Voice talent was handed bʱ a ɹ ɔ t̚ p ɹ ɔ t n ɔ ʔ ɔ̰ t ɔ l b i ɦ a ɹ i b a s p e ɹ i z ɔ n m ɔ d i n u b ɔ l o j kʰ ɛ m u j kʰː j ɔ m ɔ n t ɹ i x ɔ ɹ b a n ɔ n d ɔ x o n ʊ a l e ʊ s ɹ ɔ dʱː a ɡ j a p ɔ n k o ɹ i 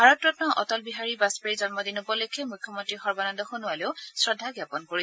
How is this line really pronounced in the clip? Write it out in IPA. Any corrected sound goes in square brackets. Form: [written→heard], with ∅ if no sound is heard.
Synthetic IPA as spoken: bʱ a ɹ ɔ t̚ p ɹ ɔ t n ɔ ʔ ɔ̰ t ɔ l b i ɦ a ɹ i b a s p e ɹ i z ɔ n m ɔ d i n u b ɔ l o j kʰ ɛ m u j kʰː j ɔ m ɔ n t ɹ i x ɔ ɹ b a n ɔ n d ɔ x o n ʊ a l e ʊ s ɹ ɔ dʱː a ɡ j a p ɔ n k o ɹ i